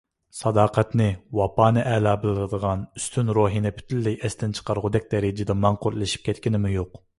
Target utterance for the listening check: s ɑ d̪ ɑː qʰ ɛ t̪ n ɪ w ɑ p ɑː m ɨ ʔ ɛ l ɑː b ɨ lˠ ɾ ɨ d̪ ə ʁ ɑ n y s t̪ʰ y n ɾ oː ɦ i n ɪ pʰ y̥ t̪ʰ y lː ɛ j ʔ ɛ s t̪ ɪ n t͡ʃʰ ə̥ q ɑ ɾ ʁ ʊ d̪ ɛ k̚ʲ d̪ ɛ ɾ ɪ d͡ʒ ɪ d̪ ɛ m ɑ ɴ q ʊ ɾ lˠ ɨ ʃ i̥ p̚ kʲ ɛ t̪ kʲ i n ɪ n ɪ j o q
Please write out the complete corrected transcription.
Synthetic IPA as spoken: s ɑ d̪ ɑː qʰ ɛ t̪ n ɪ w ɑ p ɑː n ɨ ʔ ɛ l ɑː b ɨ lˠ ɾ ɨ d̪ ə ʁ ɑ n y s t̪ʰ y n ɾ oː ɦ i n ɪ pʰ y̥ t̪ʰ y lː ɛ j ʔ ɛ s t̪ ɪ n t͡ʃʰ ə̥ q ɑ ɾ ʁ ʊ d̪ ɛ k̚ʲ d̪ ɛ ɾ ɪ d͡ʒ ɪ d̪ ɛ m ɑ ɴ q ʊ ɾ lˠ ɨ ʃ i̥ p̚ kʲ ɛ t̪ kʲ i n ɪ m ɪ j o q

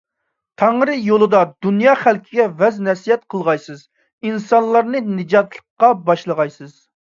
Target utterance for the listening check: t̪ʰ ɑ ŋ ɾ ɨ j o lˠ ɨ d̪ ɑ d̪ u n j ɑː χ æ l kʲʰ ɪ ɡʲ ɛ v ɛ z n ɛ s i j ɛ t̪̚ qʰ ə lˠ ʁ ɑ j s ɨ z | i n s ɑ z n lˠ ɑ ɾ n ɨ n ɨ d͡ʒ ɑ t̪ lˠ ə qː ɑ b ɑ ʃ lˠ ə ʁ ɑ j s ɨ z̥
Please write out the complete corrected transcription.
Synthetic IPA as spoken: t̪ʰ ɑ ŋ ɾ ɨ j o lˠ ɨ d̪ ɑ d̪ u n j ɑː χ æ l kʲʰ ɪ ɡʲ ɛ v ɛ z n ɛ s i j ɛ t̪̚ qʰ ə lˠ ʁ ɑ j s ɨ z | i n s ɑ n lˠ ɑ ɾ n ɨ n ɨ d͡ʒ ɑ t̪ lˠ ə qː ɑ b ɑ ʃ lˠ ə ʁ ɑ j s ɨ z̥

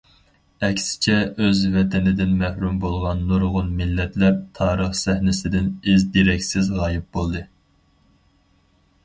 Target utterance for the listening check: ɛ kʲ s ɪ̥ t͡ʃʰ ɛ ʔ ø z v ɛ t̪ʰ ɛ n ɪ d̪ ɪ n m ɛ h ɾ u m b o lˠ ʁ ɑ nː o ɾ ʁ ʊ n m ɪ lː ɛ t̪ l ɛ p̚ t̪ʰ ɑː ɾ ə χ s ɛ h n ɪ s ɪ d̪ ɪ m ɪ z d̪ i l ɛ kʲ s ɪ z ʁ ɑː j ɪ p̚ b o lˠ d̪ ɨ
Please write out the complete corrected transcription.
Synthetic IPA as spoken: ɛ kʲ s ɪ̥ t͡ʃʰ ɛ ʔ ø z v ɛ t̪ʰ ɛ n ɪ d̪ ɪ n m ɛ h ɾ u m b o lˠ ʁ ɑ nː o ɾ ʁ ʊ n m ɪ lː ɛ t̪ l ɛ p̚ t̪ʰ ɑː ɾ ə χ s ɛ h n ɪ s ɪ d̪ ɪ n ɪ z d̪ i ɾ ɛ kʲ s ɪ z ʁ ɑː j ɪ p̚ b o lˠ d̪ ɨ

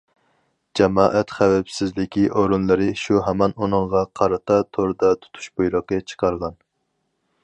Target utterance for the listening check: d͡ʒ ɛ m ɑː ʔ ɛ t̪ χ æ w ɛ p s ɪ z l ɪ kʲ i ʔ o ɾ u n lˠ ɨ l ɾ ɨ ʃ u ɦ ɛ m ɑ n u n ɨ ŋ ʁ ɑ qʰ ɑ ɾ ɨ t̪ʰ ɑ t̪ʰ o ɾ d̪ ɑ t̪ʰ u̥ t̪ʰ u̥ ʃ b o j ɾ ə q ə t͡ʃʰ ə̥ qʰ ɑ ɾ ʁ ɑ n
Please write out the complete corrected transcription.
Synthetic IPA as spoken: d͡ʒ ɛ m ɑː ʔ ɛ t̪ χ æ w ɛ p s ɪ z l ɪ kʲ i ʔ o ɾ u n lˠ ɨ ɾ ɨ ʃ u ɦ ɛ m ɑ n u n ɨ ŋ ʁ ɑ qʰ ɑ ɾ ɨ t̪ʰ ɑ t̪ʰ o ɾ d̪ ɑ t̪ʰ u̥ t̪ʰ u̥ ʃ b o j ɾ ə q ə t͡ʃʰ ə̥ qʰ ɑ ɾ ʁ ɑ n

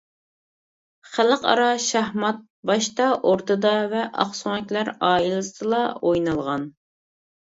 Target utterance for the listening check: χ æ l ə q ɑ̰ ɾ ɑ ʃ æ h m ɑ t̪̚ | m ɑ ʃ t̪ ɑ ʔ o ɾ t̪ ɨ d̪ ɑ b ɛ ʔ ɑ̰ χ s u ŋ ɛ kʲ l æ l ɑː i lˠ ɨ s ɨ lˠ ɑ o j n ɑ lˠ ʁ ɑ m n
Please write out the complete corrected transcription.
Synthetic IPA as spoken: χ æ l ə q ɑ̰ ɾ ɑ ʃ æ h m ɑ t̪̚ | b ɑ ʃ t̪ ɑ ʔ o ɾ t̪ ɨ d̪ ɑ v ɛ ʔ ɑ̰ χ s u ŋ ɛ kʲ l æ ɾ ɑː i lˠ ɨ s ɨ lˠ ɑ o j n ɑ lˠ ʁ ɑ n

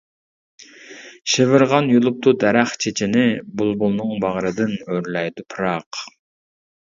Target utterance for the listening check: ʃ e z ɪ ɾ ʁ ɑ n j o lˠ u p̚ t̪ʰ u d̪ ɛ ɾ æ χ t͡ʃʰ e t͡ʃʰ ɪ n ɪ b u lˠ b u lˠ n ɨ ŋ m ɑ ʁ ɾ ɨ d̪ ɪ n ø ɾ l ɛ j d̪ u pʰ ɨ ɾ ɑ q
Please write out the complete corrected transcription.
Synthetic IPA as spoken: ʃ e v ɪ ɾ ʁ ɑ n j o lˠ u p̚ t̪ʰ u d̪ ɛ ɾ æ χ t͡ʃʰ e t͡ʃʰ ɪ n ɪ b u lˠ b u lˠ n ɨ ŋ b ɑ ʁ ɾ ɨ d̪ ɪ n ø ɾ l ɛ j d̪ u pʰ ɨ ɾ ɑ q

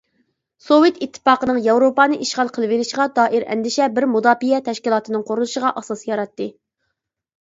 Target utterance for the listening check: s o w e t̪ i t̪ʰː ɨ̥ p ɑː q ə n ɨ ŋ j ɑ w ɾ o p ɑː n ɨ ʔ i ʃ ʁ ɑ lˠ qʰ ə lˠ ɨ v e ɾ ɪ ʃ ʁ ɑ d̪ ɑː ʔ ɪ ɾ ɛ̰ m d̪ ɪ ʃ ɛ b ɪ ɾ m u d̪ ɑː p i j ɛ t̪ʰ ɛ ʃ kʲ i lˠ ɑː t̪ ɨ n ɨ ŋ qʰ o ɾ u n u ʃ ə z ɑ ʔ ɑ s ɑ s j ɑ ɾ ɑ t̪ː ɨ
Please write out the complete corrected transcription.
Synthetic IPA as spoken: s o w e t̪ i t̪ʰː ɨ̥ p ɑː q ə n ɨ ŋ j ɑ w ɾ o p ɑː n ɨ ʔ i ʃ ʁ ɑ lˠ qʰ ə lˠ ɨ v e ɾ ɪ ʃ ʁ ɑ d̪ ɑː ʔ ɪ ɾ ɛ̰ n d̪ ɪ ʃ ɛ b ɪ ɾ m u d̪ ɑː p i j ɛ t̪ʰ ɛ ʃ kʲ i lˠ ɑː t̪ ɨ n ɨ ŋ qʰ o ɾ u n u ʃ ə ʁ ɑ ʔ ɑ s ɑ s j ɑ ɾ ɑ t̪ː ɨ

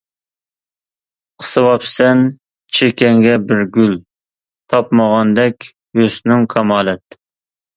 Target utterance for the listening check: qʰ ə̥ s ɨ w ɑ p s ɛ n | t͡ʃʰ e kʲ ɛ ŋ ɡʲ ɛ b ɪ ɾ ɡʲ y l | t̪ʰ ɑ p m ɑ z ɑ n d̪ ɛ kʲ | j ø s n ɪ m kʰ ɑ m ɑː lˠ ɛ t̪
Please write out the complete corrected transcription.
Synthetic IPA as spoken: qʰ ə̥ s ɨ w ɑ p s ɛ n | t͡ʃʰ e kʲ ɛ ŋ ɡʲ ɛ b ɪ ɾ ɡʲ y l | t̪ʰ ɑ p m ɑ ʁ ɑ n d̪ ɛ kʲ | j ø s n ɪ ŋ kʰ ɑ m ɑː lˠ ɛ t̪

